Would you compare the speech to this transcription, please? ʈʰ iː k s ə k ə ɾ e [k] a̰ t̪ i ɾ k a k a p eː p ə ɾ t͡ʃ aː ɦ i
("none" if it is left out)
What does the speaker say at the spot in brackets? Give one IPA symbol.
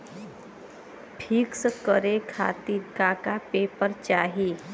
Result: kʰ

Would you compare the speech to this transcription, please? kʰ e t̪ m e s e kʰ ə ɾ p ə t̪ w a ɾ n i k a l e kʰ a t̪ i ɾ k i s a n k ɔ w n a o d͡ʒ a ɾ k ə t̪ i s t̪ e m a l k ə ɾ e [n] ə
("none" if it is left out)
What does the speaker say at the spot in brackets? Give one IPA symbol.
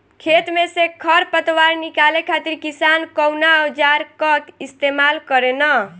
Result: n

